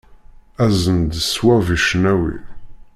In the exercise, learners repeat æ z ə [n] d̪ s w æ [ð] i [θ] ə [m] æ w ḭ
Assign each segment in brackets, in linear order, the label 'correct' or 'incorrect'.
correct, incorrect, incorrect, incorrect

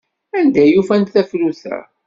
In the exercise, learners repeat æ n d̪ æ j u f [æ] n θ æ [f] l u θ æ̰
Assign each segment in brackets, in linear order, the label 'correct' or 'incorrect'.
correct, correct

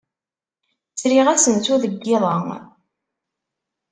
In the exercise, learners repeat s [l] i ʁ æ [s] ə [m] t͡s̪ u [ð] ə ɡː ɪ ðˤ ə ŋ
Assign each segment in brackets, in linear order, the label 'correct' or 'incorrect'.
incorrect, correct, incorrect, correct

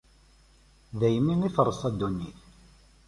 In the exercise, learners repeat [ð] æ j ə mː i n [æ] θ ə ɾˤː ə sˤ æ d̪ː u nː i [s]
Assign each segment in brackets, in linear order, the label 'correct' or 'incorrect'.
correct, incorrect, incorrect

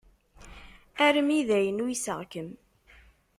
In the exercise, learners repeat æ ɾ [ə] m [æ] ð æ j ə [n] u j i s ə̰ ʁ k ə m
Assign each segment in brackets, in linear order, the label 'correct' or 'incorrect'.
correct, incorrect, correct

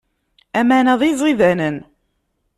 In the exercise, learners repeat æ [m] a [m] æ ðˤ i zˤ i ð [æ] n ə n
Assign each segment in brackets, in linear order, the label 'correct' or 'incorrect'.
correct, incorrect, correct

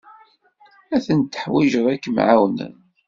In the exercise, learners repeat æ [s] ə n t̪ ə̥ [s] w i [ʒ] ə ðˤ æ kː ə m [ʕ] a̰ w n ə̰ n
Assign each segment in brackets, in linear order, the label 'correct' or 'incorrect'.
incorrect, incorrect, correct, correct

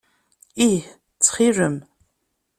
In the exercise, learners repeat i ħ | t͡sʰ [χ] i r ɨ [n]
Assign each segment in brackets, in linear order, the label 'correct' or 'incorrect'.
correct, incorrect

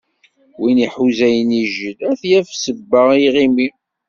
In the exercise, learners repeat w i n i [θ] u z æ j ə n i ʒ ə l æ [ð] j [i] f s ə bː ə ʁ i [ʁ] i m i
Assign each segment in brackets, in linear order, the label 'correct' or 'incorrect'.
incorrect, incorrect, incorrect, correct

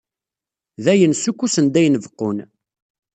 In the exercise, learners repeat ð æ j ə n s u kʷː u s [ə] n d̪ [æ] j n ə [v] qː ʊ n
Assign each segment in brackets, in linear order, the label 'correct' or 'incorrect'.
correct, correct, correct

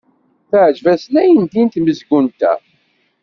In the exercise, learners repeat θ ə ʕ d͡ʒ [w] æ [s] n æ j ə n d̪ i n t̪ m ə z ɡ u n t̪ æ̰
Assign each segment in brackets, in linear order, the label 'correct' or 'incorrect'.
incorrect, correct

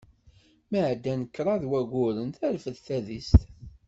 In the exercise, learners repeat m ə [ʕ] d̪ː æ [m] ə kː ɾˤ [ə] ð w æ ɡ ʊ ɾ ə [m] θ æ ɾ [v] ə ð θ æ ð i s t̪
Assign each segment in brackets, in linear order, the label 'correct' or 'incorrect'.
correct, incorrect, incorrect, incorrect, incorrect

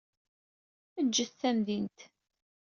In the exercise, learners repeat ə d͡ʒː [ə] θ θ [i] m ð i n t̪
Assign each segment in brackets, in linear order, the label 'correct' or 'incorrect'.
correct, incorrect

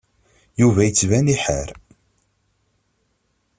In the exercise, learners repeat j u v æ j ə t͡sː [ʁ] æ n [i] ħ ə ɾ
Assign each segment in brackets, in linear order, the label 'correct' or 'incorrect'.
incorrect, correct

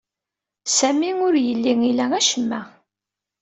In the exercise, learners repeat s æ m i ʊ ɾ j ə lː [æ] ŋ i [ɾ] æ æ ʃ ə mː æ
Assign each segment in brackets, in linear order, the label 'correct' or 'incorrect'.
incorrect, incorrect

